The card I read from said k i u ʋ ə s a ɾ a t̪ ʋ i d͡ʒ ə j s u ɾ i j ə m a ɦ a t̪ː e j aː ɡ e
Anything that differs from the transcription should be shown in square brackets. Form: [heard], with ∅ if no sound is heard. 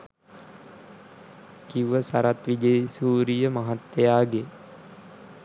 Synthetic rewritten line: k i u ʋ ə s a ɾ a t̪ ʋ i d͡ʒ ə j s [uː] ɾ i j ə m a ɦ a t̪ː e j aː ɡ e